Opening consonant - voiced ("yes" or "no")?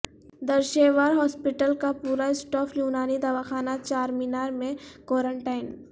yes